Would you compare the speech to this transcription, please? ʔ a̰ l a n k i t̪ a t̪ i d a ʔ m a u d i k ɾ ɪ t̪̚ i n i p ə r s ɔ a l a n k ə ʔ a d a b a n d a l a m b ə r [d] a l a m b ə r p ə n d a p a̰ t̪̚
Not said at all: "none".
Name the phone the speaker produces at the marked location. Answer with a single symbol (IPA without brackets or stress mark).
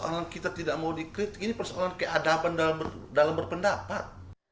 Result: d